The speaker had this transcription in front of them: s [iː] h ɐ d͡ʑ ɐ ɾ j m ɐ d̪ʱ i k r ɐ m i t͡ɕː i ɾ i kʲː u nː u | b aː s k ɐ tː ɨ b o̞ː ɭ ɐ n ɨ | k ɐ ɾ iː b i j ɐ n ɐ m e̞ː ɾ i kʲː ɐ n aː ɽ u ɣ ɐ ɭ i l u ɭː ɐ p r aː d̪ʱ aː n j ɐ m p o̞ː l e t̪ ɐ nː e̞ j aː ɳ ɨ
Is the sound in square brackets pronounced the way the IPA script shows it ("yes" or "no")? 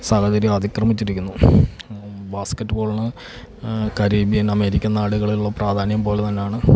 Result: no